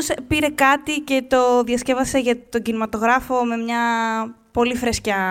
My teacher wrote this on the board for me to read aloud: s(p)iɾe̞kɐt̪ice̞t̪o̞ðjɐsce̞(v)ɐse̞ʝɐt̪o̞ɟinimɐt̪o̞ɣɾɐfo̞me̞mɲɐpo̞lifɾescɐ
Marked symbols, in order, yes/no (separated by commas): yes, yes